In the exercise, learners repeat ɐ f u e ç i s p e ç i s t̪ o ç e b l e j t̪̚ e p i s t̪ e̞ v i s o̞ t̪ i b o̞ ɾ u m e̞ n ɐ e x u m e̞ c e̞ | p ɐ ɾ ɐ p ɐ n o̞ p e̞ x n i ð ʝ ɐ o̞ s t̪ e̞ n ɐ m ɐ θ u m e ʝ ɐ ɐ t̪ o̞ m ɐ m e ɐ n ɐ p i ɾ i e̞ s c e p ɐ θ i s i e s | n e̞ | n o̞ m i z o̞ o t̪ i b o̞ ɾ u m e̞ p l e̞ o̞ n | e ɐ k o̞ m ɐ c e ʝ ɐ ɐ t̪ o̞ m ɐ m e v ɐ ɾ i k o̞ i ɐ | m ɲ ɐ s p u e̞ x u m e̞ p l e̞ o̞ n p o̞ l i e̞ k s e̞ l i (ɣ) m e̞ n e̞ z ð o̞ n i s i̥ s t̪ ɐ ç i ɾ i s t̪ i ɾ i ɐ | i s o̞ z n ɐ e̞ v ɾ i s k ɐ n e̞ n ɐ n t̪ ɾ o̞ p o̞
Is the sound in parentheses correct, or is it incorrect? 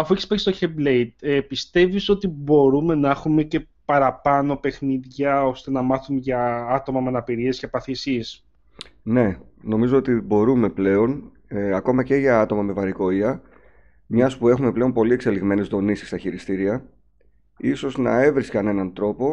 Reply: correct